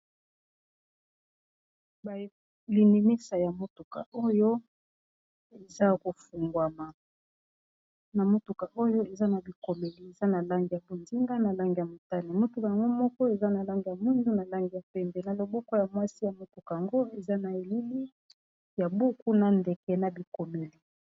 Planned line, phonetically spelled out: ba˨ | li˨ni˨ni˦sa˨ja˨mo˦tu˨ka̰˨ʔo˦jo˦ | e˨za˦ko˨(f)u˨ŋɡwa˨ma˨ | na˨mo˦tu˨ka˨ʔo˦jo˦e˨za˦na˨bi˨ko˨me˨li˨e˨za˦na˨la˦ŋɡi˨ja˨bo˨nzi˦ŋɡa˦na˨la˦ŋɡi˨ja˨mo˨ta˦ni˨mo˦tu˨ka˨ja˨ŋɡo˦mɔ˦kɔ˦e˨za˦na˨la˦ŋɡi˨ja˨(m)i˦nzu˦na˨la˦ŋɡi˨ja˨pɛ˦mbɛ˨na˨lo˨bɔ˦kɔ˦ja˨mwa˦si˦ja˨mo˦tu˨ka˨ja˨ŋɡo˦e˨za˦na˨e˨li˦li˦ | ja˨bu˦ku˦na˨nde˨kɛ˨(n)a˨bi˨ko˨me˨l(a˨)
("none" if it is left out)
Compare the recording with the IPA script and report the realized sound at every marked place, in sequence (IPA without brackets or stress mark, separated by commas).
f, m, n, i˨